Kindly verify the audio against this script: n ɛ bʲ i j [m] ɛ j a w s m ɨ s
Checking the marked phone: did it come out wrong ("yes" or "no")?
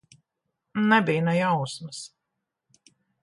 yes